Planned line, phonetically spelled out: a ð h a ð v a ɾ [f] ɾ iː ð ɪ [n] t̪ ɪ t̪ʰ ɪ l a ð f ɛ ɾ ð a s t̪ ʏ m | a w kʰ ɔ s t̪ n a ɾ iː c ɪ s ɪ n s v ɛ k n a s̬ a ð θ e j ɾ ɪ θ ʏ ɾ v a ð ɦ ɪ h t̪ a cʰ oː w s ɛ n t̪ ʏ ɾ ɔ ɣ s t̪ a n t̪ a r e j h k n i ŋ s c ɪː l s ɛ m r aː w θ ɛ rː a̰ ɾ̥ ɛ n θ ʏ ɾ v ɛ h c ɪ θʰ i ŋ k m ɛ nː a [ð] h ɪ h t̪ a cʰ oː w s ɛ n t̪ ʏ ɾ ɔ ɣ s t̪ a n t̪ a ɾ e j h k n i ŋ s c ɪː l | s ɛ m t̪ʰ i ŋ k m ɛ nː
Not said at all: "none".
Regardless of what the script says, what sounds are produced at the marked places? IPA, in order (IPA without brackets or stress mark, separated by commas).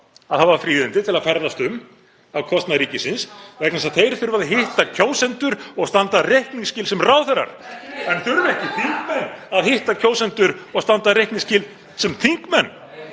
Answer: f, n, ð